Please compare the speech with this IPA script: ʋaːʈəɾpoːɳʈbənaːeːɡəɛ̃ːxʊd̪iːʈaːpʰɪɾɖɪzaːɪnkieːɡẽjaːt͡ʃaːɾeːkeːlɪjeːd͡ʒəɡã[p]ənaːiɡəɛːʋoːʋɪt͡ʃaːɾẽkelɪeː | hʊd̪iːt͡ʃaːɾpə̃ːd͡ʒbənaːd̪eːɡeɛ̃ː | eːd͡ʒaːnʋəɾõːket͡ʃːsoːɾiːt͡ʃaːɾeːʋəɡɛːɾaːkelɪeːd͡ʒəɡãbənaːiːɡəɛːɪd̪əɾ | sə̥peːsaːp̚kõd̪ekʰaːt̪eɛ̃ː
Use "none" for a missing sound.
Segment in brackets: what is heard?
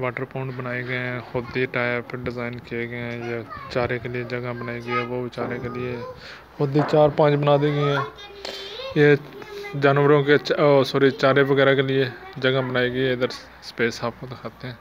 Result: b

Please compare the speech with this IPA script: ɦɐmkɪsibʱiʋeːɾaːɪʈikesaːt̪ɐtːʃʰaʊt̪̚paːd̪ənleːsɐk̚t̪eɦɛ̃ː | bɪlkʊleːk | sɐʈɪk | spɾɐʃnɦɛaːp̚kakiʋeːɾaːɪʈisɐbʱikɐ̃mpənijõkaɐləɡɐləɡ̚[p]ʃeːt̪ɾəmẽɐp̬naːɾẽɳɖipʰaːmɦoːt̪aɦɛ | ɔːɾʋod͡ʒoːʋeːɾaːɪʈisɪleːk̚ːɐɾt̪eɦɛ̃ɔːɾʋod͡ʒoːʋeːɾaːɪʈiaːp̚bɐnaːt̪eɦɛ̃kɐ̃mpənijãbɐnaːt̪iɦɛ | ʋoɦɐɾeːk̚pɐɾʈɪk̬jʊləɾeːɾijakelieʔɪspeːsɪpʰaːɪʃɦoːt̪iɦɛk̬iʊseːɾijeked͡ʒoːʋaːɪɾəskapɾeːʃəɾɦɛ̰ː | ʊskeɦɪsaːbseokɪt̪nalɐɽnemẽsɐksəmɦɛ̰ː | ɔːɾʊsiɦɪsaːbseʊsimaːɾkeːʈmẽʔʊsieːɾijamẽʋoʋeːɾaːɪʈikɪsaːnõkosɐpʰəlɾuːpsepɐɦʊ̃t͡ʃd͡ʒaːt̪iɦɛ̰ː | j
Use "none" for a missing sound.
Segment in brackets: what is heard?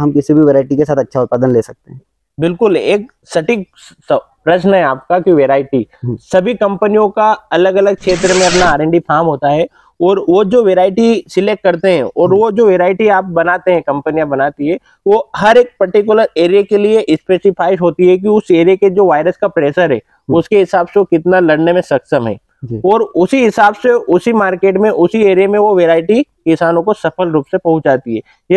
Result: k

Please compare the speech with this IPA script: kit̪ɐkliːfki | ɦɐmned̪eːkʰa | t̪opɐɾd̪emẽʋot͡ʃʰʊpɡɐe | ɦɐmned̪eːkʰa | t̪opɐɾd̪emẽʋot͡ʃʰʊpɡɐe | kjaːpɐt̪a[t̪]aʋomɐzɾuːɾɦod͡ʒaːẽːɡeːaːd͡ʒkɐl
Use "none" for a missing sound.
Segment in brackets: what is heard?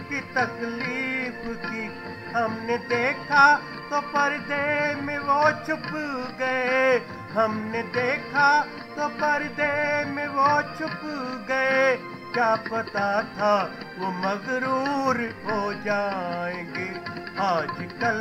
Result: t̪ʰ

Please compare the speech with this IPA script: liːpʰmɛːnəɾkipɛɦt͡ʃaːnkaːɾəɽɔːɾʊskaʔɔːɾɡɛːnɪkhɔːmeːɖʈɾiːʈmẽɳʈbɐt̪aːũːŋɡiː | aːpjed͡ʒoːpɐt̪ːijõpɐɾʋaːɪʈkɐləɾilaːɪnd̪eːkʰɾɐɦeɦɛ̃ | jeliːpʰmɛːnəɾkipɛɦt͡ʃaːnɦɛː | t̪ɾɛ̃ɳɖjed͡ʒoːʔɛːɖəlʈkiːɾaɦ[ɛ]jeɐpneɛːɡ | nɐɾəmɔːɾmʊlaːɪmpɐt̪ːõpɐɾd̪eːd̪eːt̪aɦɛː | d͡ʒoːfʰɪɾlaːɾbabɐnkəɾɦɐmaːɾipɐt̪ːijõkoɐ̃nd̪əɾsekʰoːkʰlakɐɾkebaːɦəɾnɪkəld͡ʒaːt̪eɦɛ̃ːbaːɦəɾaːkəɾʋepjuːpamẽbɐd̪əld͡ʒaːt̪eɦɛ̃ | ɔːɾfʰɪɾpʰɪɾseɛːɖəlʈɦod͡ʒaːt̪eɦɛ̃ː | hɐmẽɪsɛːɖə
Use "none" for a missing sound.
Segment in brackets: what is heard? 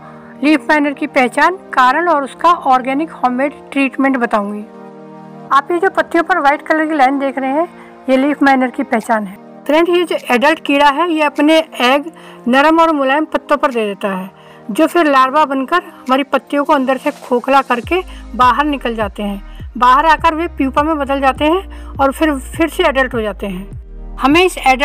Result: ɛ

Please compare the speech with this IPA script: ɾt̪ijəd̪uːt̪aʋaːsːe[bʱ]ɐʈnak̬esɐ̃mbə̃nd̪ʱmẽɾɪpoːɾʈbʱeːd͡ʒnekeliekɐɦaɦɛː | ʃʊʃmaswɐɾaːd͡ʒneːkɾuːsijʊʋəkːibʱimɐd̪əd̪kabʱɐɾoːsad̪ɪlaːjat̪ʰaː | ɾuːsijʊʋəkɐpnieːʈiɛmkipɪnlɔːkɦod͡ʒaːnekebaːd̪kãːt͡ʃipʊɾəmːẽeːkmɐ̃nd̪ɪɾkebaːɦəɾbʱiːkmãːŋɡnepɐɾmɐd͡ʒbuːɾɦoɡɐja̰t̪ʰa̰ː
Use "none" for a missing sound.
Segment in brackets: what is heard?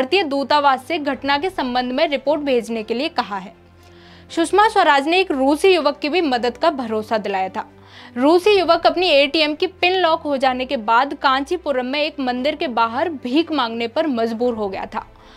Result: ɡʱ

